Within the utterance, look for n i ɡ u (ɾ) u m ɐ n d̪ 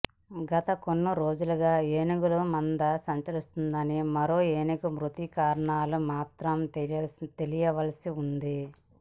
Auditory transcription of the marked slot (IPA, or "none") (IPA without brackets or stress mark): l